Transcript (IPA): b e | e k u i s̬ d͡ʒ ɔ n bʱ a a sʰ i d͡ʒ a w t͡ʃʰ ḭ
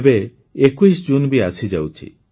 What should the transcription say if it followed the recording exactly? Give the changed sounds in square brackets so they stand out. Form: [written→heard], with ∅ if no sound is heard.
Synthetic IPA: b e | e k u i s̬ d͡ʒ [ɔ→u] n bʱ [a→i] a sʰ i d͡ʒ a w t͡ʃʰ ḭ